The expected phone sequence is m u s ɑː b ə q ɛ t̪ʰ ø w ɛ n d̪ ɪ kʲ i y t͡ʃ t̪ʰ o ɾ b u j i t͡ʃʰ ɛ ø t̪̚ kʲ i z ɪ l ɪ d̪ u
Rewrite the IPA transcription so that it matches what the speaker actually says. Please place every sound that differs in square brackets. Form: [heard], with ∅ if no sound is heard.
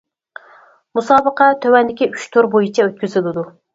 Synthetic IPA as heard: m u s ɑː b ə q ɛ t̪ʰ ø w ɛ n d̪ ɪ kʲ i y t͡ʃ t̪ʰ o ɾ b [o] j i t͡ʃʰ ɛ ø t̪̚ kʲ [y] z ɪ l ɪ d̪ u